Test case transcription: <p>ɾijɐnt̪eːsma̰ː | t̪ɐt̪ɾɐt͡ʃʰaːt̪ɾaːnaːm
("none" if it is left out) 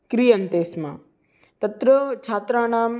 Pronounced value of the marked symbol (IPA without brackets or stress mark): k